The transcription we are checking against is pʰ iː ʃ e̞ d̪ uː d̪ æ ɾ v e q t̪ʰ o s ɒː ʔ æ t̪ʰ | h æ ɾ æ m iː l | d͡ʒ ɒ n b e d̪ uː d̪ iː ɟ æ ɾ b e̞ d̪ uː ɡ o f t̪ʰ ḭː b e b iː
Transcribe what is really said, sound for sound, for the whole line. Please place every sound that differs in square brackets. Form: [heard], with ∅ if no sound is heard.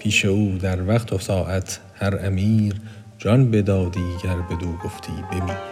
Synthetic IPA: pʰ iː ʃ e̞ [∅] uː d̪ æ ɾ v [æ] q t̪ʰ o s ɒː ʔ æ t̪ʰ | h æ ɾ æ m iː [ɾ] | d͡ʒ ɒ n b e d̪ [ɒː] d̪ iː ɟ æ ɾ b e̞ d̪ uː ɡ o f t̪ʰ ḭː b e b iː